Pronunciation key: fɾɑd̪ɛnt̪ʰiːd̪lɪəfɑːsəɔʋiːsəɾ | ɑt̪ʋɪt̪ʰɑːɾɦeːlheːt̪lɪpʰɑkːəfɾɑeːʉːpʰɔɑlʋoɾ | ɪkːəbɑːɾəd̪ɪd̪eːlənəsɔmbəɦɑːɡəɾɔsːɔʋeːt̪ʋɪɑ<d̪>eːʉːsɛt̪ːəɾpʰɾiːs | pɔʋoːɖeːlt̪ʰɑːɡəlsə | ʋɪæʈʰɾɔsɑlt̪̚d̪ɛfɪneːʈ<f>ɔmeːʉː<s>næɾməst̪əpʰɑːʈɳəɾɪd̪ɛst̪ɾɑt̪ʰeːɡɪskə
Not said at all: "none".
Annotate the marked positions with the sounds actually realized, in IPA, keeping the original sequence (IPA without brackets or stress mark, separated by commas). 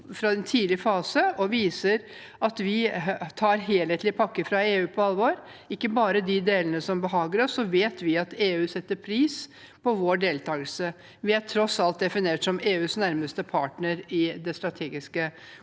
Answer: t̪, s, s